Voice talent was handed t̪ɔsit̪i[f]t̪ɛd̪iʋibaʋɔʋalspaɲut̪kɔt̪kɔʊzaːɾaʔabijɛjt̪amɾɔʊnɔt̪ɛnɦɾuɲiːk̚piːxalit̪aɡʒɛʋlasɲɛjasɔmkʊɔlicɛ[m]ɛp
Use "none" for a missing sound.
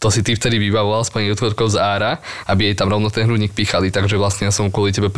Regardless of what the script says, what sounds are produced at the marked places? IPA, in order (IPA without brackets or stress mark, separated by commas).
f, b